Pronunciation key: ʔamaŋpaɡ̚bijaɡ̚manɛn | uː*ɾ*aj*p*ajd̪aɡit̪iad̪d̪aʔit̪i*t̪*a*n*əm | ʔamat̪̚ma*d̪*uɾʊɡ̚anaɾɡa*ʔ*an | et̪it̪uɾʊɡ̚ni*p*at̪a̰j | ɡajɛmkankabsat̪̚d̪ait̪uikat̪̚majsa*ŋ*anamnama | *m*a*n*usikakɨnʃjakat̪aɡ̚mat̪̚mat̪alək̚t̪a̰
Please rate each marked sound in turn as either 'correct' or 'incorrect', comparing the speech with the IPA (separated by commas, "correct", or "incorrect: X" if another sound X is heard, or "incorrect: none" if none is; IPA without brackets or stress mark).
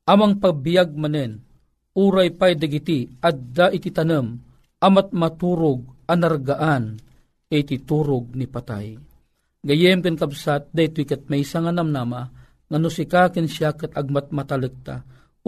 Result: correct, correct, correct, correct, incorrect: t̪, correct, correct, correct, incorrect: ŋ, correct